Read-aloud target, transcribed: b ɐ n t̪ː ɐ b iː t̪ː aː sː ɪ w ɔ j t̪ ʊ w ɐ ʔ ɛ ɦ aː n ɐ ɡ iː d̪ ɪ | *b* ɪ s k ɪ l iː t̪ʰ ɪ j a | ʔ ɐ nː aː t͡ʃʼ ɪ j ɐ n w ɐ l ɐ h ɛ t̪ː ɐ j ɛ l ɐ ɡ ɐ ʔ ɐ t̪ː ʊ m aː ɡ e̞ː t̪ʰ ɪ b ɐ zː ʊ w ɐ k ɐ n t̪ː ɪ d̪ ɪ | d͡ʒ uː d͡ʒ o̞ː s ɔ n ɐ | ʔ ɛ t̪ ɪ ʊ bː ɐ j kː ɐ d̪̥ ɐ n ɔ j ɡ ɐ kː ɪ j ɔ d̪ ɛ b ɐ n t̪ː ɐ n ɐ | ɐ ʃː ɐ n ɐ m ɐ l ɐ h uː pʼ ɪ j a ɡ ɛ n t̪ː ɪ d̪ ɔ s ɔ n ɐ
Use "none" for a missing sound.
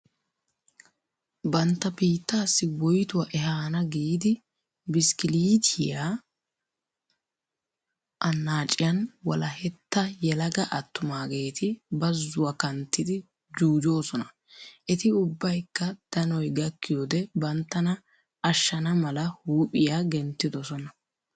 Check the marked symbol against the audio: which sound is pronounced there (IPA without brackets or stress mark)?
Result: b